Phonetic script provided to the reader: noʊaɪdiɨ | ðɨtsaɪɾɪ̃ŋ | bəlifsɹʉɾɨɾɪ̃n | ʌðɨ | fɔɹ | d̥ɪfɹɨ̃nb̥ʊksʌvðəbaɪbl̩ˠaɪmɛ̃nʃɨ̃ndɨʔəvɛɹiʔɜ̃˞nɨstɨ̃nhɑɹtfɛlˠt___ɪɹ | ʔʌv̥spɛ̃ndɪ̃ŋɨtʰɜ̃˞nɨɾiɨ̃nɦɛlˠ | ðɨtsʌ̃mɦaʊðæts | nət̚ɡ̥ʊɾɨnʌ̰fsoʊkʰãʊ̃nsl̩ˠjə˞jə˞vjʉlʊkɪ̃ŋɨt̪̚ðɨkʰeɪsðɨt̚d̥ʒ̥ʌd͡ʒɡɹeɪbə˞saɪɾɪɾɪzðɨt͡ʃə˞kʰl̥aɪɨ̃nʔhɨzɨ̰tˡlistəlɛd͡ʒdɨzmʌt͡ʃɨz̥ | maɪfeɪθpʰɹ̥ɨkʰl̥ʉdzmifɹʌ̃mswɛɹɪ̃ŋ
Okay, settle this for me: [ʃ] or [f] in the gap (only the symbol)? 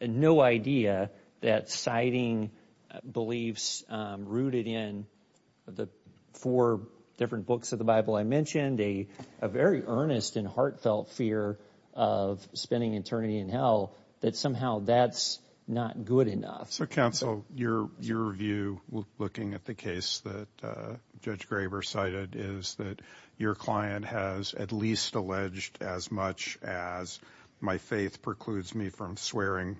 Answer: f